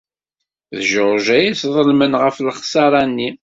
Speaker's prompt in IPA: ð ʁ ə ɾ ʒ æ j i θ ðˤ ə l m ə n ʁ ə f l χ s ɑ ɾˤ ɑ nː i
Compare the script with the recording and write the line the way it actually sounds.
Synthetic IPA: ð ʒ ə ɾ ʒ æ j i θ ðˤ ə l m ə n ʁ ə f l χ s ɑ ɾˤ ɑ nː i